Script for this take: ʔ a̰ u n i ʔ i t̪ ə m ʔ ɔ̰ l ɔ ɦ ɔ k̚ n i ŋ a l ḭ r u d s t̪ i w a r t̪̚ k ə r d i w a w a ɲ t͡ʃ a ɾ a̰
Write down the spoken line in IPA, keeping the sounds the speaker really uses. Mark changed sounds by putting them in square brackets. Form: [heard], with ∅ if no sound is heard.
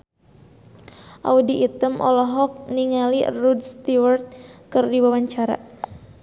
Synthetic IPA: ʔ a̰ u [d] i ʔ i t̪ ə m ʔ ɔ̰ l ɔ ɦ ɔ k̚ n i ŋ a l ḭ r u d s t̪ i w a r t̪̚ k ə r d i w a w a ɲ t͡ʃ a ɾ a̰